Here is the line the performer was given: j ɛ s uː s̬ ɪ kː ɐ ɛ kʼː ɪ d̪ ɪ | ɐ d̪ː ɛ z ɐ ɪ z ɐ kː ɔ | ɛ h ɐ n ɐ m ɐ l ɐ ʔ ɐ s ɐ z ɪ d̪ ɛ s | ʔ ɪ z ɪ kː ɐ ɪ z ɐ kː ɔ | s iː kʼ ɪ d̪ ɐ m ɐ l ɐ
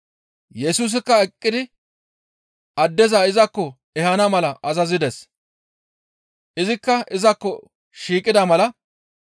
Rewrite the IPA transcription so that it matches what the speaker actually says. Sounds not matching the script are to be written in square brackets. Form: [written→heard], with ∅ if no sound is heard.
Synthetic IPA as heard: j ɛ s uː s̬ ɪ kː ɐ ɛ kʼː ɪ d̪ ɪ | ɐ d̪ː ɛ z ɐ ɪ z ɐ kː ɔ | ɛ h ɐ n ɐ m ɐ l ɐ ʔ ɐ [s→z] ɐ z ɪ d̪ ɛ s | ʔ ɪ z ɪ kː ɐ ɪ z ɐ kː ɔ | [s→ʃ] iː kʼ ɪ d̪ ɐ m ɐ l ɐ